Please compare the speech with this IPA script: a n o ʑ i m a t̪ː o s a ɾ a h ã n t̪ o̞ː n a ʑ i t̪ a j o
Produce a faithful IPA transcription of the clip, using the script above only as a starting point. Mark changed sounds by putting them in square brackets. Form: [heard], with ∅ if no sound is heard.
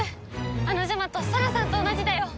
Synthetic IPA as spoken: a n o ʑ [a] m a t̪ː o s a ɾ a [s] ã n t̪ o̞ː n a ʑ i [d̪] a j o